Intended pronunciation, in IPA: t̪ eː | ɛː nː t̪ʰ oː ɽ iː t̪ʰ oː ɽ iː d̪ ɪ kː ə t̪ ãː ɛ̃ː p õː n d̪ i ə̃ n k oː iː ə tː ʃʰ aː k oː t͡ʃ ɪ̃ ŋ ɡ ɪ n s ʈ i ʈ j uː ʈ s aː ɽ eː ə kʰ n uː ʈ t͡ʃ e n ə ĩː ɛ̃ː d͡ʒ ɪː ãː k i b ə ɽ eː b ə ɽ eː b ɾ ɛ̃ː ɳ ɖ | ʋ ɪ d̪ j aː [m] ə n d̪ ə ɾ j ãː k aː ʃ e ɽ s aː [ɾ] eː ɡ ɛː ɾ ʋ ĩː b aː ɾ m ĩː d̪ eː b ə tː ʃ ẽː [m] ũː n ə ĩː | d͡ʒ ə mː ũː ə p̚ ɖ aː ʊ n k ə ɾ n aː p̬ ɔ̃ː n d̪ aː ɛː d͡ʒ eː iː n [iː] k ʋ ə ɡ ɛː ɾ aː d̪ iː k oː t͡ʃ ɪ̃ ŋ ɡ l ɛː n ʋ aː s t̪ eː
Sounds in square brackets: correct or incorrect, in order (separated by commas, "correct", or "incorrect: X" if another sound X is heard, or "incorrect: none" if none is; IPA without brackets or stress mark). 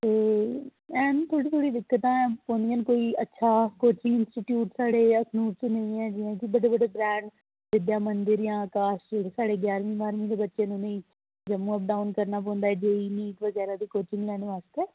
correct, incorrect: ɽ, incorrect: n, correct